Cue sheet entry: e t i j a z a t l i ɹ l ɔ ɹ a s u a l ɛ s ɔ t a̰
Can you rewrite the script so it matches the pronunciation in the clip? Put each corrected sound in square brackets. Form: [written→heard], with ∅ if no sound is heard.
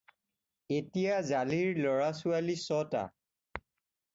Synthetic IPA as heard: e t i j a z a [t→∅] l i ɹ l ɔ ɹ a s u a l [ɛ→i] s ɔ t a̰